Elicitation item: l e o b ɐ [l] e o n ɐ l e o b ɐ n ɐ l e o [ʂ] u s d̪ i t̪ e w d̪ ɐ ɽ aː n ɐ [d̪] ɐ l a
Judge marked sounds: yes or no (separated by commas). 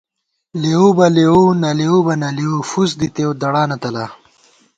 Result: yes, no, no